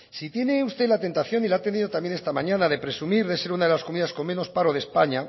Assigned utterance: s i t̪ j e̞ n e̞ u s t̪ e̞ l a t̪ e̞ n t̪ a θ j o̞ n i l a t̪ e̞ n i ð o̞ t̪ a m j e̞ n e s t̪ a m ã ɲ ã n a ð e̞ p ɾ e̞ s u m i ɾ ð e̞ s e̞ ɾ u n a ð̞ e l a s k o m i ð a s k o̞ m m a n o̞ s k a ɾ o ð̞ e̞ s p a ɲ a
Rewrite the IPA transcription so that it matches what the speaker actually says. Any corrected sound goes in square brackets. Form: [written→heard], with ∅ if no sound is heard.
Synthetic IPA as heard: s i t̪ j e̞ n e̞ u s t̪ e̞ l a t̪ e̞ n t̪ a θ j o̞ n i l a t̪ e̞ n i ð o̞ t̪ a m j e̞ n e s t̪ a m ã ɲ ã n a ð e̞ p ɾ e̞ s u m i ɾ ð e̞ s e̞ ɾ u n a ð̞ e l a s k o m i ð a s k o̞ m m [a→e] n o̞ s [k→p] a ɾ o ð̞ e̞ s p a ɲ a

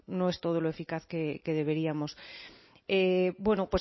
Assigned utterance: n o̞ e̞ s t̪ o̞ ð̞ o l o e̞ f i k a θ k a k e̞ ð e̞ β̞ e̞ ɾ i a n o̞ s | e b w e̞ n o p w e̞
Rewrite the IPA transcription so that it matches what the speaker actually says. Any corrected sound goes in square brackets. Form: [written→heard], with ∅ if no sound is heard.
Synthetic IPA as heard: n o̞ e̞ s t̪ o̞ ð̞ o l o e̞ f i k a θ k [a→e] k e̞ ð e̞ β̞ e̞ ɾ i a [n→m] o̞ s | e b w e̞ n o p w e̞

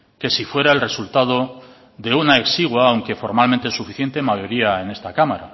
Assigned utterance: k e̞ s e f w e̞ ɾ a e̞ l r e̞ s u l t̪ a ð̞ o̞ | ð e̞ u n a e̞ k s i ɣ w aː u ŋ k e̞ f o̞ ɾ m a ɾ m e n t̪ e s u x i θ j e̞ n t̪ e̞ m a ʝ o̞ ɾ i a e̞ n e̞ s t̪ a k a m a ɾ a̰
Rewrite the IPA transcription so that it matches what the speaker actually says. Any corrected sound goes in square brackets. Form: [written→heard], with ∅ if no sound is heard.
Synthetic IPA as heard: k e̞ s [e→i] f w e̞ ɾ a e̞ l r e̞ s u l t̪ a ð̞ o̞ | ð e̞ u n a e̞ k s i ɣ w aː [u→w] ŋ k e̞ f o̞ ɾ m a [ɾ→l] m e n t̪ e s u [x→f] i θ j e̞ n t̪ e̞ m a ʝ o̞ ɾ i a e̞ n e̞ s t̪ a k a m a ɾ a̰

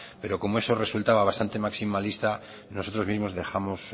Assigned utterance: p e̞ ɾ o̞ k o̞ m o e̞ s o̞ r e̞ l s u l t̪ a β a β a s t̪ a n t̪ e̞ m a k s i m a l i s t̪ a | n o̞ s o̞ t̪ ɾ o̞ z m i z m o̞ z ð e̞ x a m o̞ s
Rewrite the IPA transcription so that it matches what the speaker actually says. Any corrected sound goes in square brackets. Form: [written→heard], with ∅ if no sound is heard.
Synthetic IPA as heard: p e̞ ɾ o̞ k o̞ m o e̞ s o̞ r e̞ [l→∅] s u l t̪ a β a β a s t̪ a n t̪ e̞ m a k s i m a l i s t̪ a | n o̞ s o̞ t̪ ɾ o̞ z m i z m o̞ z ð e̞ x a m o̞ s

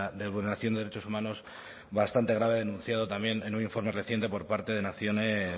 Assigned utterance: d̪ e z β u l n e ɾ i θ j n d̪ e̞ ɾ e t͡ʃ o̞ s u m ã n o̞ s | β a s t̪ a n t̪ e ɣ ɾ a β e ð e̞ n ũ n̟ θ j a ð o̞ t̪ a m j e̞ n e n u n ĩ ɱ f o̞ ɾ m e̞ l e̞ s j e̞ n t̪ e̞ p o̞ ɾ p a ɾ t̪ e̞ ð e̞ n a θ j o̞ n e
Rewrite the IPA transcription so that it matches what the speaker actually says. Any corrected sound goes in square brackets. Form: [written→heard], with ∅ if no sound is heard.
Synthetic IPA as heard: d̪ e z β u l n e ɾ [i→a] θ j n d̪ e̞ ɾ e t͡ʃ o̞ s u m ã n o̞ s | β a s t̪ a n t̪ e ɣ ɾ a β e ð e̞ n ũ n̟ θ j a ð o̞ t̪ a m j e̞ n e n u n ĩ ɱ f o̞ ɾ m e̞ [l→r] e̞ [s→θ] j e̞ n t̪ e̞ p o̞ ɾ p a ɾ t̪ e̞ ð e̞ n a θ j o̞ n e

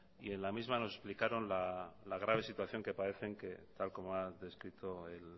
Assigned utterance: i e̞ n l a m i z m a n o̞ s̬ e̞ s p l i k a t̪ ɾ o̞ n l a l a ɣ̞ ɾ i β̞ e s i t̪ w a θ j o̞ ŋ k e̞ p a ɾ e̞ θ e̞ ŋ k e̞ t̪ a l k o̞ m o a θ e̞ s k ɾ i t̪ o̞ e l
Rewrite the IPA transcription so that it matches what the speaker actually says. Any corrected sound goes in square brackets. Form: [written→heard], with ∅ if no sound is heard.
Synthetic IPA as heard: i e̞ n l a m i z m a n o̞ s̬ e̞ s p l i k a [t̪→∅] ɾ o̞ n l a l a ɣ̞ ɾ [i→a] β̞ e s i t̪ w a θ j o̞ ŋ k e̞ p a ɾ e̞ θ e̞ ŋ k e̞ t̪ a l k o̞ m o a [θ→ð] e̞ s k ɾ i t̪ o̞ e l

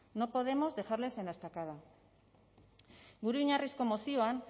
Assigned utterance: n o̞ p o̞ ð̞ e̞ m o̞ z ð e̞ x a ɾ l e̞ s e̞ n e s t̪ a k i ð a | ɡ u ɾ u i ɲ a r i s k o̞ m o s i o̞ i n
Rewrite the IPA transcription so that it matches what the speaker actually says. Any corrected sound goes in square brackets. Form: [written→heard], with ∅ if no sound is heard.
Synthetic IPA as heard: n o̞ p o̞ ð̞ e̞ m o̞ z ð e̞ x a ɾ l e̞ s e̞ n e s t̪ a k [i→a] ð a | ɡ u ɾ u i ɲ a r i s k o̞ m o s i o̞ [i→a] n

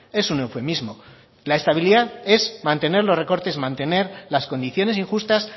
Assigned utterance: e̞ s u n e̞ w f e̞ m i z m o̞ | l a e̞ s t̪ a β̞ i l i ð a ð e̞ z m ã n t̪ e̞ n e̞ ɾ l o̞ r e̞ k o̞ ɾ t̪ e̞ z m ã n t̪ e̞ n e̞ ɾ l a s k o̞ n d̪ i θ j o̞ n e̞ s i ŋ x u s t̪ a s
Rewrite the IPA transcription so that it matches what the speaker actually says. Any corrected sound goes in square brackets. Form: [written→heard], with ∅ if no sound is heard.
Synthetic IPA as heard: e̞ s u n e̞ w f e̞ m i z m o̞ | l a e̞ s t̪ a β̞ i l i ð a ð e̞ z m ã n t̪ e̞ n e̞ ɾ l o̞ r e̞ k o̞ ɾ t̪ e̞ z m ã n t̪ e̞ n e̞ ɾ l a s k o̞ n d̪ i θ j o̞ n e̞ s i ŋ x u s t̪ a s

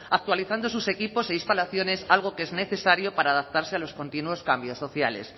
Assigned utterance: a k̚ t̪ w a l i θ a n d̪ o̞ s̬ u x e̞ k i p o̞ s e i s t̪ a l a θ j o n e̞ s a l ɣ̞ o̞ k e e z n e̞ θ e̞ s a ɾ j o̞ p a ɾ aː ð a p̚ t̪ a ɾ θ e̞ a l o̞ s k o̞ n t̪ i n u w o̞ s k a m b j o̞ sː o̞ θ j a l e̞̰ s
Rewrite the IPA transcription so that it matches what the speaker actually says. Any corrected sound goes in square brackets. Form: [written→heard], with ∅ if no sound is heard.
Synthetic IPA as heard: a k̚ t̪ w a l i θ a n d̪ o̞ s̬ u [x→s] e̞ k i p o̞ s e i s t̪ a l a θ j o n e̞ s a l ɣ̞ o̞ k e e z n e̞ θ e̞ s a ɾ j o̞ p a ɾ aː ð a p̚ t̪ a ɾ [θ→s] e̞ a l o̞ s k o̞ n t̪ i n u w o̞ s k a m b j o̞ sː o̞ θ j a l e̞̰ s

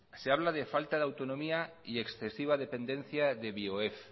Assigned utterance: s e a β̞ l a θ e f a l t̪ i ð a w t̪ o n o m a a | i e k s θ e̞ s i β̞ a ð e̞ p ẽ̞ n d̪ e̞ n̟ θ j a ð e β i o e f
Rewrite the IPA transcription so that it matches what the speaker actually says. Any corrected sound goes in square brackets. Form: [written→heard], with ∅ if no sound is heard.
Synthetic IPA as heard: s e a β̞ l a [θ→ð] e f a l t̪ [i→a] ð a w t̪ o n o m [a→i] a | i e k s θ e̞ s i β̞ a ð e̞ p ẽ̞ n d̪ e̞ n̟ θ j a ð e β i o e f

